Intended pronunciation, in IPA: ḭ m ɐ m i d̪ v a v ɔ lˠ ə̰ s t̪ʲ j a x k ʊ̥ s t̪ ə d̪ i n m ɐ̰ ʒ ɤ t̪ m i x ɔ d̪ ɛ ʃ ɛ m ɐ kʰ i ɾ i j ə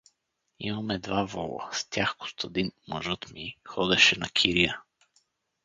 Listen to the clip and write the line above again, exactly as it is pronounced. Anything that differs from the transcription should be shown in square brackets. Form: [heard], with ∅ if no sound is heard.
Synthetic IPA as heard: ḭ m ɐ m [ɛ] d̪ v a v ɔ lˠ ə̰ s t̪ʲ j a x k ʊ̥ s t̪ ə d̪ i n m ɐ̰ ʒ ɤ t̪ m i x ɔ d̪ ɛ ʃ ɛ [n] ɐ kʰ i ɾ i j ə